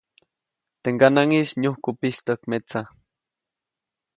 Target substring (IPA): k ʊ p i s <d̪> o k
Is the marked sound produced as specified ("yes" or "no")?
no